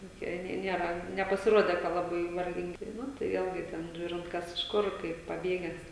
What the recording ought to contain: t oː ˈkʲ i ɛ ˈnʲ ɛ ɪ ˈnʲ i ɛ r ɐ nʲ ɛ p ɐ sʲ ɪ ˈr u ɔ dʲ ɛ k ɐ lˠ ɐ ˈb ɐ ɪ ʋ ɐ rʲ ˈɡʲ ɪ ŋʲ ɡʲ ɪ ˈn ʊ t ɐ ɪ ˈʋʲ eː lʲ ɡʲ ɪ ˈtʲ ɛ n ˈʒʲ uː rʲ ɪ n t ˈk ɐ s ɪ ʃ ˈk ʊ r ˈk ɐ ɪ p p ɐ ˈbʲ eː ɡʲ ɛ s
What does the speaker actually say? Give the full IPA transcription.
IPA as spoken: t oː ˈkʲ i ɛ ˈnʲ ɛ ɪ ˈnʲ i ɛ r ɐ nʲ ɛ p ɐ sʲ ɪ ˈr u ɔ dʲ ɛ k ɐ lˠ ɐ ˈb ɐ ɪ ʋ ɐ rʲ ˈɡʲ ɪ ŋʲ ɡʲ ɪ ˈn ʊ t ɐ ɪ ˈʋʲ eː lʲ ɡʲ ɪ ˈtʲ ɛ n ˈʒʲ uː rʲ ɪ n t ˈk ɐ s ɪ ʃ ˈk ʊ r ˈk ɐ ɪ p p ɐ ˈbʲ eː ɡʲ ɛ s